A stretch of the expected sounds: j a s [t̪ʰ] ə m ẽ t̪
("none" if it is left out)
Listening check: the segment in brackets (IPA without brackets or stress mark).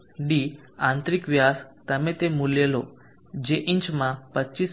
t̪